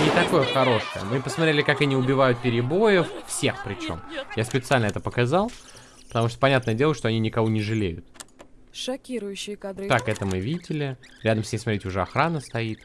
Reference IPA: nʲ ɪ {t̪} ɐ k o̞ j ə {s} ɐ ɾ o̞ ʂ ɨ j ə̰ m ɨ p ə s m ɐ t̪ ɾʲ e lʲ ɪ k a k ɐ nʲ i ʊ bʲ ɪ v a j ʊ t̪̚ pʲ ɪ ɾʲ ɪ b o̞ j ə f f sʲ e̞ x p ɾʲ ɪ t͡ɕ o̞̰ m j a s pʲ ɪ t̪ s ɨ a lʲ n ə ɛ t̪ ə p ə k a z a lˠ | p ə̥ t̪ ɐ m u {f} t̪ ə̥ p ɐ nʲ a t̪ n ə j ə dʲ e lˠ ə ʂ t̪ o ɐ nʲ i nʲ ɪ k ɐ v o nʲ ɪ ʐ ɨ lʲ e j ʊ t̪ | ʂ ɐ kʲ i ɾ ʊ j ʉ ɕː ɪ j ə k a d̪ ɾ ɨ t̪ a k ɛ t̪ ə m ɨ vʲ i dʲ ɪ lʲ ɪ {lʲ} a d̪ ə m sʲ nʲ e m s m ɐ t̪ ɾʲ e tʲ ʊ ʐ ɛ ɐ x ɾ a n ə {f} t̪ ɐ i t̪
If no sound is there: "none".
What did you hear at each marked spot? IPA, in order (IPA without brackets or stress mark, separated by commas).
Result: t̪, x, ʂ, ɾʲ, s